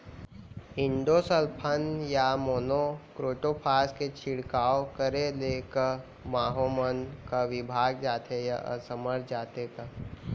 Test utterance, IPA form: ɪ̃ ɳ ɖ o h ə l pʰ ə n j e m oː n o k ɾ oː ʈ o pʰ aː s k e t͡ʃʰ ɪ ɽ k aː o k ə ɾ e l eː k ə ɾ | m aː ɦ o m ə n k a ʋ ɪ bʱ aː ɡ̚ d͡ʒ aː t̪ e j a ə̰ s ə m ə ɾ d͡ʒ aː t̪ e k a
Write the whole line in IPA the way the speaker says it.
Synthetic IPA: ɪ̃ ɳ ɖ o s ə l pʰ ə n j a m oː n o k ɾ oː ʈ o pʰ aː s k e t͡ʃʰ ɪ ɽ k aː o k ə ɾ e l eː k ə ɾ | m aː ɦ o m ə n k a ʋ ɪ bʱ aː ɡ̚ d͡ʒ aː t̪ e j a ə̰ s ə m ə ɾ d͡ʒ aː t̪ e k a